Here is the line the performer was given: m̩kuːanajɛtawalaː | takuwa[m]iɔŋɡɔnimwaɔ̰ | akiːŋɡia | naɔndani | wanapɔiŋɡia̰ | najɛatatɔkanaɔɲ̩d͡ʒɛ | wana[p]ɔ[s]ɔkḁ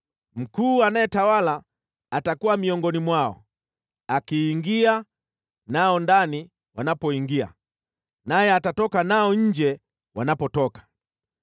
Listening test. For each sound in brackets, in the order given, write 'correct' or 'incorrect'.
correct, correct, incorrect

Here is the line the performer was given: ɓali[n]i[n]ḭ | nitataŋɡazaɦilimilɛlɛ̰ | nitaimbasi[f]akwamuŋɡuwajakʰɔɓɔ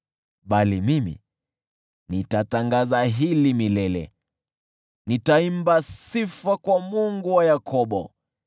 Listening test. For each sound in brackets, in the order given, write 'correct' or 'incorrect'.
incorrect, incorrect, correct

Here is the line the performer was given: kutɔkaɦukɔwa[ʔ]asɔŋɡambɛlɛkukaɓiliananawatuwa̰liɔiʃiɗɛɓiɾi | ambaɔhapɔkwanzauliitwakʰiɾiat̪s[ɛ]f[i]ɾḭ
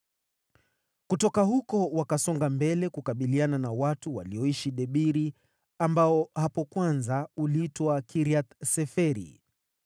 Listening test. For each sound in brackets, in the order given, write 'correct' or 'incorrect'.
incorrect, correct, incorrect

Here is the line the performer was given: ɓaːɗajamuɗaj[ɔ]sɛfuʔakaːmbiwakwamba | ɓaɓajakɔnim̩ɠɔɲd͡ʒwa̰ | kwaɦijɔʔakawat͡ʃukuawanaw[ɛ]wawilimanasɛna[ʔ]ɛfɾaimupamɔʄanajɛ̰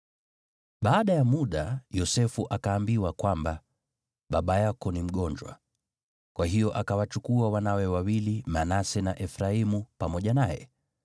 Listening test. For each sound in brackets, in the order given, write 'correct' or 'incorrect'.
correct, correct, correct

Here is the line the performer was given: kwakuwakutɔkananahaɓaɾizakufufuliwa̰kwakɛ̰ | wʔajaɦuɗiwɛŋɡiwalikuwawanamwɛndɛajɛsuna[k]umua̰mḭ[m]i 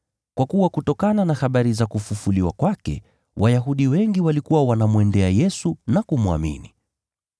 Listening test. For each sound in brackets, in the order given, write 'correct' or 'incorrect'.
correct, incorrect

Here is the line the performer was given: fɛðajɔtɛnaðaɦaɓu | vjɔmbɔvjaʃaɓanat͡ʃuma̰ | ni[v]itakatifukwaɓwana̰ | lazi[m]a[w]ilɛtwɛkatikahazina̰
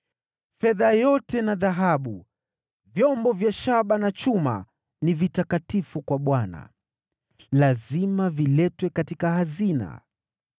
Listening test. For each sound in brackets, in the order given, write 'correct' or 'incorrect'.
correct, correct, incorrect

